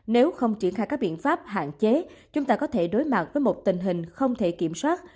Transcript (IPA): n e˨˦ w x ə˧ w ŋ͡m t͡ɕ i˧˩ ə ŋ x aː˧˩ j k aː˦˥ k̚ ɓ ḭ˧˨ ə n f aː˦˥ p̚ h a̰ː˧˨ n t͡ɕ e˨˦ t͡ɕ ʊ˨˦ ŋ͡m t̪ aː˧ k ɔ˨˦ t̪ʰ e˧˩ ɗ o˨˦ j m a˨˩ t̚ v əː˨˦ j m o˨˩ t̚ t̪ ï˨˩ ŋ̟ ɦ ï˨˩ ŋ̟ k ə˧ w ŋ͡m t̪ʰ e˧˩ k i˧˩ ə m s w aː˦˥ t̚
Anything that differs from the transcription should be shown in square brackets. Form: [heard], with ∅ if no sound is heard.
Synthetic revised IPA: n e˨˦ w x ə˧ w ŋ͡m t͡ɕ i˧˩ ə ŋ x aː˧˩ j k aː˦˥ k̚ ɓ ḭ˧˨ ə n f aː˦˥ p̚ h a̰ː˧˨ n t͡ɕ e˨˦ t͡ɕ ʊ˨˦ ŋ͡m t̪ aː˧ k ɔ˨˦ t̪ʰ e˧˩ ɗ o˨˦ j m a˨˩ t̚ v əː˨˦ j m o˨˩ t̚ t̪ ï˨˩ ŋ̟ ɦ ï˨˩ ŋ̟ [x] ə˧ w ŋ͡m t̪ʰ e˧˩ k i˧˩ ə m s w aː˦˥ t̚